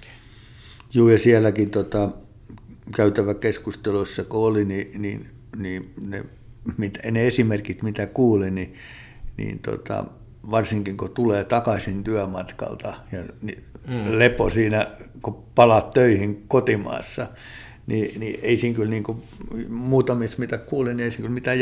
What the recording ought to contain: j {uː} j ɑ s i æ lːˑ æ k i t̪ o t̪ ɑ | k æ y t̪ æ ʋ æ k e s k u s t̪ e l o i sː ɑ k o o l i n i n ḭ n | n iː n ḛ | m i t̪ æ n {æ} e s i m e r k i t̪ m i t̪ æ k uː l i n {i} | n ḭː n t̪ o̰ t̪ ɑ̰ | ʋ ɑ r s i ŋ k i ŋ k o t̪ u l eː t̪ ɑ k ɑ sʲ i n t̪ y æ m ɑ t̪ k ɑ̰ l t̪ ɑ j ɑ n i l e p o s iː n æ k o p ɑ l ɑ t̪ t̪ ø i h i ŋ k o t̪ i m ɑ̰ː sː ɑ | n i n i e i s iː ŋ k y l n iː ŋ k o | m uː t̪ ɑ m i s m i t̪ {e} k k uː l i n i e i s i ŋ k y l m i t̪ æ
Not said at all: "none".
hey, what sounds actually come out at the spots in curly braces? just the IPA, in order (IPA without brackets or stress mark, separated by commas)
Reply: uː, e, i, æ